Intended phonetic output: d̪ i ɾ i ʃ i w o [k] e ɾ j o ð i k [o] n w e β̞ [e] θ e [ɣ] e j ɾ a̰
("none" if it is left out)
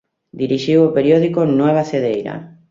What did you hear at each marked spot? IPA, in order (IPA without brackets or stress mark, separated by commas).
p, o, a, ð